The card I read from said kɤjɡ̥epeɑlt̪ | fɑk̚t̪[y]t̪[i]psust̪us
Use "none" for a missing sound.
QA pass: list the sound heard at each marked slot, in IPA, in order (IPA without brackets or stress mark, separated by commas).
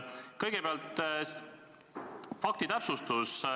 i, æ